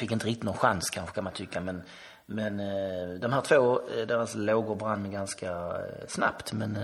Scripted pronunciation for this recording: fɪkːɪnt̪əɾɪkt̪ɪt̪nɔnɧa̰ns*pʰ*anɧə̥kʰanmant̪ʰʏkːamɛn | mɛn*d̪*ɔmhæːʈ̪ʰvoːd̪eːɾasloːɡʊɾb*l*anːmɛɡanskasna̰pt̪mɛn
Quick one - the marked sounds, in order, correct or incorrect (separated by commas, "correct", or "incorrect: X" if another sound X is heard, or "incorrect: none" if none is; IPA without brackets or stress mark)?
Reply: incorrect: kʰ, correct, incorrect: ɾ